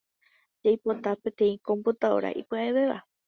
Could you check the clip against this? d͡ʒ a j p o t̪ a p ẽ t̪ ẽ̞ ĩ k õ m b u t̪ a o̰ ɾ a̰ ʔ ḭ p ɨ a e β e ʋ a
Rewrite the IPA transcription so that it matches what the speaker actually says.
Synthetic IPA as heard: d͡ʒ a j p o t̪ a p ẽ t̪ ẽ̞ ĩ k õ m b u t̪ a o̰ ɾ a̰ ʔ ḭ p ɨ a e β e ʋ a